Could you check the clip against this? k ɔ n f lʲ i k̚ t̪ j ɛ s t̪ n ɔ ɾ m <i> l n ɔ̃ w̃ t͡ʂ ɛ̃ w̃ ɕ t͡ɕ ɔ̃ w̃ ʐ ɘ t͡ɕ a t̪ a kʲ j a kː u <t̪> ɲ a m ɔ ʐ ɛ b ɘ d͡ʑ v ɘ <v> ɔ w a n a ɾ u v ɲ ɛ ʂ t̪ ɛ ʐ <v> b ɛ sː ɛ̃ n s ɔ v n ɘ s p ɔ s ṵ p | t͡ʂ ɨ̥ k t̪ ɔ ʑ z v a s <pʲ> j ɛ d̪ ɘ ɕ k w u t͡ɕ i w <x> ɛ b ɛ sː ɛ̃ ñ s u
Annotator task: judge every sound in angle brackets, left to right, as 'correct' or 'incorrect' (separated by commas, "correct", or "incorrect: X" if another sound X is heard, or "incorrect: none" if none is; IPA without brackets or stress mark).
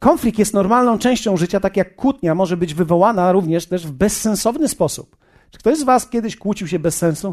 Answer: incorrect: a, correct, correct, correct, incorrect: kʲ, incorrect: ɕ